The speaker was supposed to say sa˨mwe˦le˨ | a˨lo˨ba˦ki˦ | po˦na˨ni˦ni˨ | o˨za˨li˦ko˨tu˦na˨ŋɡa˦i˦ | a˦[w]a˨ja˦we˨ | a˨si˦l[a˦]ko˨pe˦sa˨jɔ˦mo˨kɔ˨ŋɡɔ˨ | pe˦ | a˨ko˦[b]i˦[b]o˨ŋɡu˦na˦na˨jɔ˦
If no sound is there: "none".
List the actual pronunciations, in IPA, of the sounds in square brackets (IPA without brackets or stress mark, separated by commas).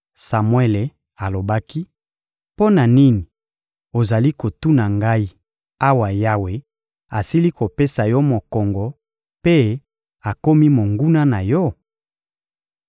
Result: w, i˦, m, m